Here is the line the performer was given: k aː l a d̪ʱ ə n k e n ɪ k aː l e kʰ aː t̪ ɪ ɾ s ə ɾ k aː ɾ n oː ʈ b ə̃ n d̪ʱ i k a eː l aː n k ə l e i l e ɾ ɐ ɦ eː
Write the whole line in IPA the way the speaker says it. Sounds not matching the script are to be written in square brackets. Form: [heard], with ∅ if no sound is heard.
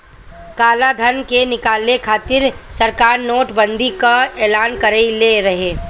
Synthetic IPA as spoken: k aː l a d̪ʱ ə n k e n ɪ k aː l e kʰ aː t̪ ɪ ɾ s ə ɾ k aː ɾ n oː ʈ b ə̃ n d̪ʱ i k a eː l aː n k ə [ɾ] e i l e ɾ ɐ ɦ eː